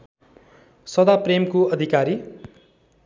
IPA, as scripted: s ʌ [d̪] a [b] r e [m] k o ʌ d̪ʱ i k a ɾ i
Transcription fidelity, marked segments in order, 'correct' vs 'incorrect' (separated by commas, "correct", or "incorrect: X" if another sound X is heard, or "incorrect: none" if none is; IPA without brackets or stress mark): correct, incorrect: p, correct